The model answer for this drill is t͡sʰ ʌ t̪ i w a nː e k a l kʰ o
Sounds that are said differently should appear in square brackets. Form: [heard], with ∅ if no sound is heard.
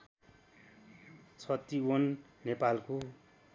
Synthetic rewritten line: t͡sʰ ʌ t̪ i w [ʌ] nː e [p] a l [k] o